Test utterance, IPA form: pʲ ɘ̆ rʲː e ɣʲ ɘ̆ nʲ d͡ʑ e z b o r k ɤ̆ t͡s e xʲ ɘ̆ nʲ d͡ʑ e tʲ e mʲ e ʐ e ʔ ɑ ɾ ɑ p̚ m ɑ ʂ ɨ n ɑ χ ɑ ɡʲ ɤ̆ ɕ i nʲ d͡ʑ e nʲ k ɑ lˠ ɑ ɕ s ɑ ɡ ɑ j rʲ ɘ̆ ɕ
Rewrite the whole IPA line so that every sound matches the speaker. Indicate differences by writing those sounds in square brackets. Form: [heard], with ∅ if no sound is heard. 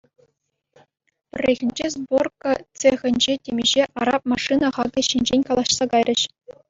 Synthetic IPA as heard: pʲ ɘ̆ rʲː e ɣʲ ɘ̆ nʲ d͡ʑ e z b o r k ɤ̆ t͡s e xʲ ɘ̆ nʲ d͡ʑ e tʲ e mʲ e [ʑ] e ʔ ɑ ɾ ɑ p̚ m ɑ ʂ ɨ n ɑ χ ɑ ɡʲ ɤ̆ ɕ i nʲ d͡ʑ e nʲ k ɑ lˠ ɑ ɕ s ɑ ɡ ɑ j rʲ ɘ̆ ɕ